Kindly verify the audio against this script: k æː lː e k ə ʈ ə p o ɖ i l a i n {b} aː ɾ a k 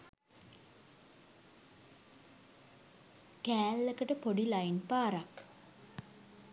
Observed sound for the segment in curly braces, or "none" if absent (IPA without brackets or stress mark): p